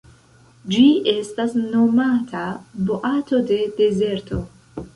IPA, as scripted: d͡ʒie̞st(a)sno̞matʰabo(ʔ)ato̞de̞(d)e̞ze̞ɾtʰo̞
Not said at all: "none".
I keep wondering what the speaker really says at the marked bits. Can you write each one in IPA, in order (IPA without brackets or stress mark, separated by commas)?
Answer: a, ʔ, d